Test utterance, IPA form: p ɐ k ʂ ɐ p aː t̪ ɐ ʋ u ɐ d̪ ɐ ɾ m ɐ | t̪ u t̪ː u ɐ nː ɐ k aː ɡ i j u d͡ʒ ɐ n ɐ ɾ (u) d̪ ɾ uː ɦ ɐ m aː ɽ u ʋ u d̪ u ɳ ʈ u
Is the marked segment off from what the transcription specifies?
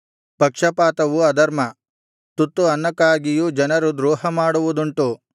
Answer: no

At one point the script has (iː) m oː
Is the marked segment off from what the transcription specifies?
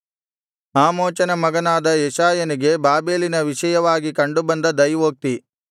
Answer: yes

